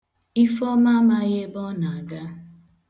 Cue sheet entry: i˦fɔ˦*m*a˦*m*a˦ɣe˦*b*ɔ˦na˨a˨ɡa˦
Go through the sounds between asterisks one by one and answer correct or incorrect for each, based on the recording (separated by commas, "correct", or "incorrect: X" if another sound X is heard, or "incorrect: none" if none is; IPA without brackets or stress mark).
correct, correct, correct